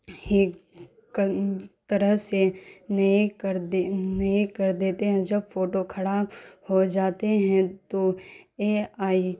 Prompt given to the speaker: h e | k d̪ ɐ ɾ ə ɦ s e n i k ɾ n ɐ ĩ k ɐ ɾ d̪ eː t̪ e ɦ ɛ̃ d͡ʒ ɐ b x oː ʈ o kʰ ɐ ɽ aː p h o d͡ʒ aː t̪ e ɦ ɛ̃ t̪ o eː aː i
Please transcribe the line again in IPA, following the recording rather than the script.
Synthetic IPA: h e | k t̪ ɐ ɾ ə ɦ s e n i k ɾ n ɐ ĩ k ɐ ɾ d̪ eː t̪ e ɦ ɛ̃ d͡ʒ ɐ b f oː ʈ o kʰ ɐ ɽ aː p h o d͡ʒ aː t̪ e ɦ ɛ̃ t̪ o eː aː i

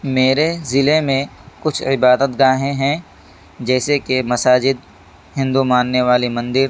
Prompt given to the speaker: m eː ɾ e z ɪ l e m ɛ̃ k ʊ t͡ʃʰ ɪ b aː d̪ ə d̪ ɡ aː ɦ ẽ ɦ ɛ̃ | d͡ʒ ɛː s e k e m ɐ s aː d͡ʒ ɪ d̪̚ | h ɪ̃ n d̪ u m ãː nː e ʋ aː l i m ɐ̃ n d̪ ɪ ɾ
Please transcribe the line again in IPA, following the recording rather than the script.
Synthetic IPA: m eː ɾ e z ɪ l e m ẽ k ʊ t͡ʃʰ ɪ b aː d̪ ə t̪ ɡ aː ɦ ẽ ɦ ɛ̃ | d͡ʒ ɛː s e k e m ɐ s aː d͡ʒ ɪ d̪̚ | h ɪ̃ n d̪ u m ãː nː e ʋ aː l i m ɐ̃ n d̪ ɪ ɾ

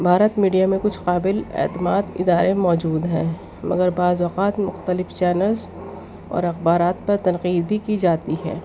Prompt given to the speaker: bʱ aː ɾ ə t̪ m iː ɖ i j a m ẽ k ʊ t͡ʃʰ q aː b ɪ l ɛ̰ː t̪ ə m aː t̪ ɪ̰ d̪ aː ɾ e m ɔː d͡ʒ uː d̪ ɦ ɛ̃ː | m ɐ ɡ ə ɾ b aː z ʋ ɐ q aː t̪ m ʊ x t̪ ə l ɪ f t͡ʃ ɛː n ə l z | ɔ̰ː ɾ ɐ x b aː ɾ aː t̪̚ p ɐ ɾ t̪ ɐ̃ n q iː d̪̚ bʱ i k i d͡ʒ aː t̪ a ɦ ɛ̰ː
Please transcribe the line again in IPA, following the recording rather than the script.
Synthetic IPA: bʱ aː ɾ ə t̪ m iː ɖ i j a m ẽ k ʊ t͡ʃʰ q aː b ɪ l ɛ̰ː t̪ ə m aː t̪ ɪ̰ d̪ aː ɾ e m ɔː d͡ʒ uː d̪ ɦ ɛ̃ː | m ɐ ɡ ə ɾ b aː z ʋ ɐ q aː t̪ m ʊ x t̪ ə l ɪ f t͡ʃ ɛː n ə l z | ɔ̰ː ɾ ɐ x b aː ɾ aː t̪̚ p ɐ ɾ t̪ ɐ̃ n q iː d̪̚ bʱ i k i d͡ʒ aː t̪ i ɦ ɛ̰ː

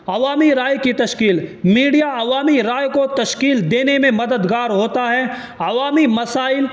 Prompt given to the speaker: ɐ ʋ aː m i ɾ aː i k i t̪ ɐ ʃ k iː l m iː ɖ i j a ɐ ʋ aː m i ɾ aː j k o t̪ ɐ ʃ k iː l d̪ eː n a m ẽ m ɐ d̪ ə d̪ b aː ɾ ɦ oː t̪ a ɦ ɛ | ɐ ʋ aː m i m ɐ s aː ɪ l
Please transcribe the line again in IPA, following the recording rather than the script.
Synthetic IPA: ɐ ʋ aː m i ɾ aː j k i t̪ ɐ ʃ k iː l m iː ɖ i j a ɐ ʋ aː m i ɾ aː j k o t̪ ɐ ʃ k iː l d̪ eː n e m ẽ m ɐ d̪ ə d̪ ɡ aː ɾ ɦ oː t̪ a ɦ ɛ | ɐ ʋ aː m i m ɐ s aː ɪ l

